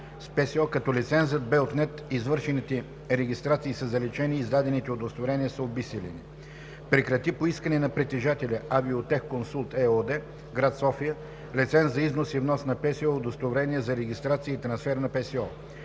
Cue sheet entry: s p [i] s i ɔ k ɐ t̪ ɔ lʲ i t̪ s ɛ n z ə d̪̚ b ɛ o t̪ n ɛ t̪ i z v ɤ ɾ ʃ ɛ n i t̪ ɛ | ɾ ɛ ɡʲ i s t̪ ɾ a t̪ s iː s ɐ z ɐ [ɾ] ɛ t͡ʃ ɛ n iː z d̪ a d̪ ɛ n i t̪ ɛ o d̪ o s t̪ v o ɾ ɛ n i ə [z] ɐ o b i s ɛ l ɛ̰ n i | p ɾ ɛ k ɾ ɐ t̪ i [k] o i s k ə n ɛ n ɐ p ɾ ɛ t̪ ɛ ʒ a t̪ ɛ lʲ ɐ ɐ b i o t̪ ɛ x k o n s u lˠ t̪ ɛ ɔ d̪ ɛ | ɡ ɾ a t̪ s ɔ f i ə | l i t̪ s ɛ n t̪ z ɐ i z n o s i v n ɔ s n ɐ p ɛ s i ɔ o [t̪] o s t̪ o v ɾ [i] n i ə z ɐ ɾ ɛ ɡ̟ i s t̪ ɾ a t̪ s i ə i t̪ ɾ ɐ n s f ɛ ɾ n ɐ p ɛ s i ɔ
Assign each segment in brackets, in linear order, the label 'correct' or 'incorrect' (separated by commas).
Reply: incorrect, incorrect, incorrect, incorrect, incorrect, incorrect